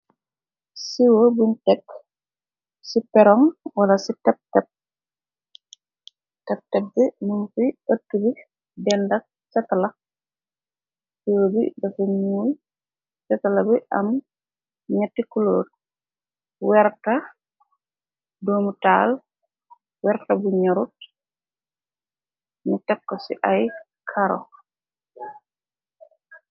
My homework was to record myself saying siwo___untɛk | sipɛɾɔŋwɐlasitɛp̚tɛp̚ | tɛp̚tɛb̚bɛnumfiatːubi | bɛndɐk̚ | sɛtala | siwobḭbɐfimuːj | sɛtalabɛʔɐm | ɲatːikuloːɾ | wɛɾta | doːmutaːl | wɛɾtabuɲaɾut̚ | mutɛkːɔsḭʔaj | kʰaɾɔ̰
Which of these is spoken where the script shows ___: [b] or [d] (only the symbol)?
b